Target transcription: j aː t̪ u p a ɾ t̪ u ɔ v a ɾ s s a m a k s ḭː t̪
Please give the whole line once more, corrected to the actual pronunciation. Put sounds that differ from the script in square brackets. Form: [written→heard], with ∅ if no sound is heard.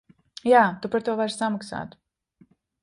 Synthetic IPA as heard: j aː t̪ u p a ɾ t̪ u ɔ v a ɾ s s a m a k s [ḭː→a̰ː] t̪